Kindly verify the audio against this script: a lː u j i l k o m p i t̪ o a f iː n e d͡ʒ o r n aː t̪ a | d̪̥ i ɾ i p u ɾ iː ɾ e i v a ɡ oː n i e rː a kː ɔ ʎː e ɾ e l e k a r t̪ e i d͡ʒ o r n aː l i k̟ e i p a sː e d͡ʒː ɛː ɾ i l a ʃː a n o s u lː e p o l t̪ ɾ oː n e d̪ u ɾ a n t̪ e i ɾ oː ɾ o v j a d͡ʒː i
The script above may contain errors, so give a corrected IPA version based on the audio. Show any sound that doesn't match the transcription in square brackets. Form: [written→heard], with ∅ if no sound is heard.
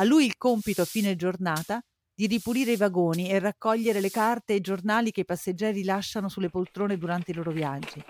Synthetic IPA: a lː u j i l k o m p i t̪ o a f iː n e d͡ʒ o r n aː t̪ a | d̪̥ i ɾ i p u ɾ iː ɾ e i v a ɡ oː n i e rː a kː ɔ ʎː e ɾ e l e k a r t̪ e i d͡ʒ o r n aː l i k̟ e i p a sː e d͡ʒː ɛː ɾ i l a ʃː a n o s u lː e p o l t̪ ɾ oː n e d̪ u ɾ a n t̪ e i [ɾ→l] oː ɾ o v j a d͡ʒː i